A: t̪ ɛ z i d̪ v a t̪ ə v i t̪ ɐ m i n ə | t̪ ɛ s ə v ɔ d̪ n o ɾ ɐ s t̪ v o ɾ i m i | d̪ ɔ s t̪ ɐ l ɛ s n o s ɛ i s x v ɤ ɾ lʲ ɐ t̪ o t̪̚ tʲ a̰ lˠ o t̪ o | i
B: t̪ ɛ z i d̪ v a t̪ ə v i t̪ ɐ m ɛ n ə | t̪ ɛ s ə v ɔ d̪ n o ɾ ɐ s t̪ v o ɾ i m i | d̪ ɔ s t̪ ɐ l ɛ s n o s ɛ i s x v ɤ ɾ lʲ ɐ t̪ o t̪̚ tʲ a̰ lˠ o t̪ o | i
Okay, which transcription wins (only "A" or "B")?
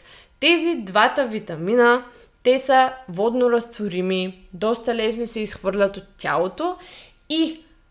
A